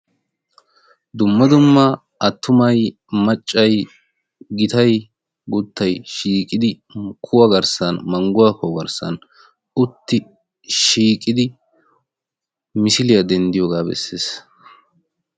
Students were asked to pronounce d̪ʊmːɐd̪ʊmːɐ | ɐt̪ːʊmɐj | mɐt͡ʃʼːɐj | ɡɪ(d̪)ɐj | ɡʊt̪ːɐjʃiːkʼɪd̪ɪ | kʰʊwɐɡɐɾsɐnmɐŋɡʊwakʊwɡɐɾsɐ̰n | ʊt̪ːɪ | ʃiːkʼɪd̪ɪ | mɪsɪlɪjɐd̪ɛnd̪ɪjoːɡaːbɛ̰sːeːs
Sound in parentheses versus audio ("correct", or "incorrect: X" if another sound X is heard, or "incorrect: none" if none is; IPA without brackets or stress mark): incorrect: t̪